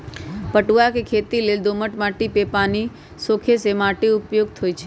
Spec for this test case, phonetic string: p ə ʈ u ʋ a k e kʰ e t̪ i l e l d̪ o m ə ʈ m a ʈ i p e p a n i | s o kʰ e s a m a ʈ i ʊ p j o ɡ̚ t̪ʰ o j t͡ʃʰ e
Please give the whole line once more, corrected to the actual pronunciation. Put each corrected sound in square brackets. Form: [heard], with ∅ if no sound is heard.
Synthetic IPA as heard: p ə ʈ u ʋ a k e kʰ e t̪ i l e l d̪ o m ə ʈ m a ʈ i p e p a n i | s o kʰ e s [e] m a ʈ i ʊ p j o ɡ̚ t̪ʰ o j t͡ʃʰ e